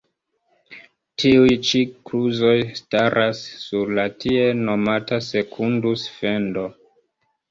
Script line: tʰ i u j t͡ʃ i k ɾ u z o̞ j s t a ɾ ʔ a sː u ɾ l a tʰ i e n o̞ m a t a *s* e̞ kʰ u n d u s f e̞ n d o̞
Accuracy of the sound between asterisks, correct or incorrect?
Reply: correct